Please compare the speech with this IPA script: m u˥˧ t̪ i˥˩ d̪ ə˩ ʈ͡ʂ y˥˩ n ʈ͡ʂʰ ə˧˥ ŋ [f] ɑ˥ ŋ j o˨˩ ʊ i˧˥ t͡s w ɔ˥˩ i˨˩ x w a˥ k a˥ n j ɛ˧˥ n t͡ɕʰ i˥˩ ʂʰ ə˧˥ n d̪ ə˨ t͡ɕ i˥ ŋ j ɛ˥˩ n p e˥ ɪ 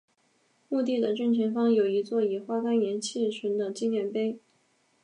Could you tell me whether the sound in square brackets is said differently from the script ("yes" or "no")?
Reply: no